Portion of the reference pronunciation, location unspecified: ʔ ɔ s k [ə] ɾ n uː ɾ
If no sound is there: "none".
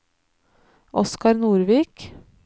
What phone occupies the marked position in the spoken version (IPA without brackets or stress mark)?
ɑ